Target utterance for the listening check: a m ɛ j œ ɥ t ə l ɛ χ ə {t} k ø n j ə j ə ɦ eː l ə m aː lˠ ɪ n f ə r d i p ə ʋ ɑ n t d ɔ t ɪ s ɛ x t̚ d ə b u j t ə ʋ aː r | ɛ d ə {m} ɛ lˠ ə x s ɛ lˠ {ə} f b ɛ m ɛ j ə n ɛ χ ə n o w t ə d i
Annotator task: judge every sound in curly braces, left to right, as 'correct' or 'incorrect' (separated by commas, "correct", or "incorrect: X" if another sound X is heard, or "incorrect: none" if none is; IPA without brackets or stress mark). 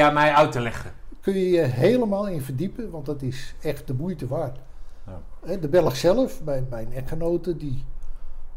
incorrect: none, incorrect: b, correct